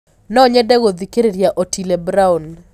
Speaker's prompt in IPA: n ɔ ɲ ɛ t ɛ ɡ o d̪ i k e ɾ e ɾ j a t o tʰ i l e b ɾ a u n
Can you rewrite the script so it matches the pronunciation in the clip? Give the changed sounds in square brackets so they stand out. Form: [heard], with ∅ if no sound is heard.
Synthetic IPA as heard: n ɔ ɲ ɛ [d] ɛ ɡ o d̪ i k e ɾ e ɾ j a [ʔ] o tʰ i l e b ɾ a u n